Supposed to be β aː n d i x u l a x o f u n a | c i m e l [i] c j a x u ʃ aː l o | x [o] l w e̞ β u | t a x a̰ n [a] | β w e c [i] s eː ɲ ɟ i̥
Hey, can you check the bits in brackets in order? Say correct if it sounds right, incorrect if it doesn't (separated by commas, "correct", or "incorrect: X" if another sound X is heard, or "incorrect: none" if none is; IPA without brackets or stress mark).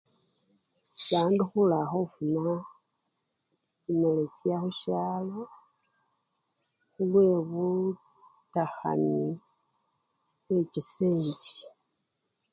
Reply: incorrect: e, incorrect: u, incorrect: i, correct